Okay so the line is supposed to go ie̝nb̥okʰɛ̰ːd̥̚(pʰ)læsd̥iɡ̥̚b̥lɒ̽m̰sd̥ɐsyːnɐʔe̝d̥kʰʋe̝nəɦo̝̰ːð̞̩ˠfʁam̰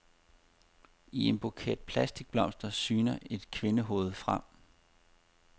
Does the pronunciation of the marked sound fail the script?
no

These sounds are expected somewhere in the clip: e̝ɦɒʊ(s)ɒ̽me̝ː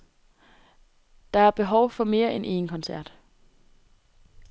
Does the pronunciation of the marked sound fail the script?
yes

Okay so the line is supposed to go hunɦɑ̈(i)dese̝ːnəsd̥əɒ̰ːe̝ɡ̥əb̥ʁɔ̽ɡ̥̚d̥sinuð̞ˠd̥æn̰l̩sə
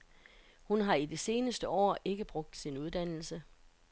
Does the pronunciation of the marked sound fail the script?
no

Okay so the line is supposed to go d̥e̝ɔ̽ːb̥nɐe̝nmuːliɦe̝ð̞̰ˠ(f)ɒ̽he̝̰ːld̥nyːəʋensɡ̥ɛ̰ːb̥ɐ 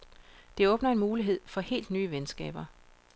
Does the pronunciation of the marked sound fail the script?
no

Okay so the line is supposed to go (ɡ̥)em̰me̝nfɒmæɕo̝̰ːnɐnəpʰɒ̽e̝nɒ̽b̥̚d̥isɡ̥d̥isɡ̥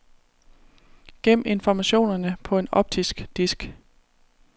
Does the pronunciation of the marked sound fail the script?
no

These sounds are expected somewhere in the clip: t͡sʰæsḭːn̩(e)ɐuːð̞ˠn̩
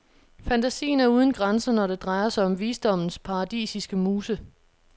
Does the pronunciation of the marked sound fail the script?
yes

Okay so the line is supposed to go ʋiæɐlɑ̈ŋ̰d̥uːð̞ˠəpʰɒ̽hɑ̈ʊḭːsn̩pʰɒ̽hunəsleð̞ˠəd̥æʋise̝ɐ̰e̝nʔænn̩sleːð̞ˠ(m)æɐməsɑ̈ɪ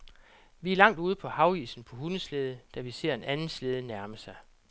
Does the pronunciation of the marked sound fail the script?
yes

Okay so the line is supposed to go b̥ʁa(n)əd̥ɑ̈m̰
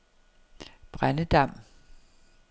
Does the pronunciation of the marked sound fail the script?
no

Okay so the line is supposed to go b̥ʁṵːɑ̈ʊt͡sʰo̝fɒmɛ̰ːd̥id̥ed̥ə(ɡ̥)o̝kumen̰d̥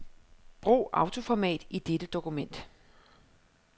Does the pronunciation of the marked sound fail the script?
yes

